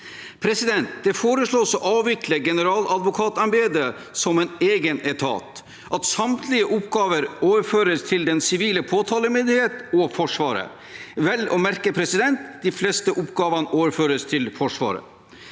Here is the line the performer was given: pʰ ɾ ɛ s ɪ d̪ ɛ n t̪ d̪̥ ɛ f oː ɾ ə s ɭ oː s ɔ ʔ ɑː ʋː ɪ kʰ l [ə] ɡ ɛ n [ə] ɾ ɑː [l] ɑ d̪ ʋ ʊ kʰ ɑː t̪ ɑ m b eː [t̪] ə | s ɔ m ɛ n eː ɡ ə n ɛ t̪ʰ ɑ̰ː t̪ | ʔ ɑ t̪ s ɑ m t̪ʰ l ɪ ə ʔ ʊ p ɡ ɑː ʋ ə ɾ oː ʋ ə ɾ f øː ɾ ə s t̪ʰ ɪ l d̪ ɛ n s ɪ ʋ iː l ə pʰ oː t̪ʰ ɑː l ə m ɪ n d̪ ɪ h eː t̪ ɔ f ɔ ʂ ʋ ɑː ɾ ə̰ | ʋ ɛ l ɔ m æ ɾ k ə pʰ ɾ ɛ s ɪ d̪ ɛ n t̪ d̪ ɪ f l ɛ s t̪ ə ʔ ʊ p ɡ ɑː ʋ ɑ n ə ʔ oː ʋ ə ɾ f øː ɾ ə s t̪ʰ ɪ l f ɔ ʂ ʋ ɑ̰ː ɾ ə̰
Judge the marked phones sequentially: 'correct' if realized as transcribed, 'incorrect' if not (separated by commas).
correct, correct, correct, incorrect